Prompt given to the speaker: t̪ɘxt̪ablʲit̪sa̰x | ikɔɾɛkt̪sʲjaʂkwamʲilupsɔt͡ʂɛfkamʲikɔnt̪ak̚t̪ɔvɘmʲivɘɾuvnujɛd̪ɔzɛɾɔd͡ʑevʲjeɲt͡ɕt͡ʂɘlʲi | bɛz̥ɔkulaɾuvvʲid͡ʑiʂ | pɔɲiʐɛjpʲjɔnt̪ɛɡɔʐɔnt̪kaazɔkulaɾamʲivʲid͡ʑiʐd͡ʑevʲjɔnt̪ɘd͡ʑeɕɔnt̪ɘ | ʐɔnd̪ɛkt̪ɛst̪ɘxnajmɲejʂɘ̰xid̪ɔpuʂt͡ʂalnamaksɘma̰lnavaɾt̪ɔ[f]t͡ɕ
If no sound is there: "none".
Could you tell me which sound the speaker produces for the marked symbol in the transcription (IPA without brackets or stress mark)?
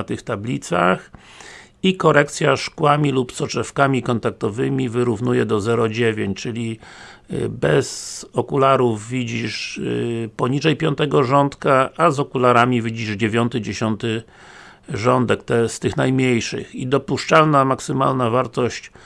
ɕ